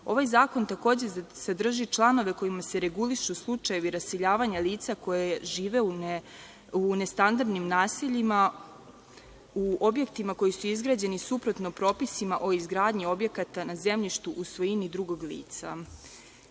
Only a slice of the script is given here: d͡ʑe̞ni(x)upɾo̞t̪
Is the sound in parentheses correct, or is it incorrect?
incorrect